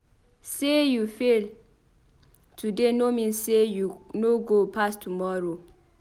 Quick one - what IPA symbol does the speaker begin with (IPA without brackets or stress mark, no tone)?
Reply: s